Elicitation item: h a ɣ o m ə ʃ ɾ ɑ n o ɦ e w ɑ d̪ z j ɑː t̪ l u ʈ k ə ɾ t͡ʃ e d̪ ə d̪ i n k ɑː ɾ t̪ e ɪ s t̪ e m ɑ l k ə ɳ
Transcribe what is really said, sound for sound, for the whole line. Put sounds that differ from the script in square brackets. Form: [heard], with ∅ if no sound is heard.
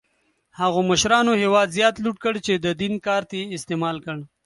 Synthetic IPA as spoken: h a ɣ o m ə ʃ ɾ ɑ n o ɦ e w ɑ d̪ z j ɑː t̪ l u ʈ k ə [ɽ] t͡ʃ e d̪ ə d̪ i n k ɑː ɾ t̪ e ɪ s t̪ e m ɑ l k ə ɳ